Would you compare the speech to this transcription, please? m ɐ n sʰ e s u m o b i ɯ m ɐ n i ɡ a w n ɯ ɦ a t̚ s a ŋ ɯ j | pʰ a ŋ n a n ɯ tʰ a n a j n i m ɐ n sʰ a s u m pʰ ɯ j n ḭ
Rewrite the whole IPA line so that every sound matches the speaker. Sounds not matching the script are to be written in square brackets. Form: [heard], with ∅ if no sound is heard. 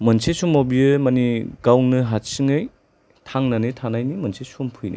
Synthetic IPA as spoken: m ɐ n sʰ e s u m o b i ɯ m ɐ n i ɡ a w n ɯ ɦ a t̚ s [i] ŋ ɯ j | [tʰ] a ŋ n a n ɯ tʰ a n a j n i m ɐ n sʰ [e] s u m pʰ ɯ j n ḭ